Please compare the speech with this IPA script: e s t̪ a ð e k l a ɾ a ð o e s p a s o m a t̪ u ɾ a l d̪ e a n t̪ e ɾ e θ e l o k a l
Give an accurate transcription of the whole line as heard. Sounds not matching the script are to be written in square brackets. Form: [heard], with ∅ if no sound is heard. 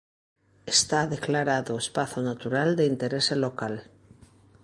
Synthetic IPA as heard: e s t̪ a ð e k l a ɾ a ð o e s p a [θ] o [n] a t̪ u ɾ a l d̪ e [i] n t̪ e ɾ e [s] e l o k a l